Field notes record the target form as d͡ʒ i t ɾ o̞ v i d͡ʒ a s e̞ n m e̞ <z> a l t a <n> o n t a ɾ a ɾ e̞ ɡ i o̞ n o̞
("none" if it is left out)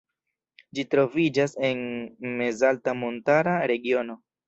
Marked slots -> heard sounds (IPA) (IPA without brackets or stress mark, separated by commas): z, m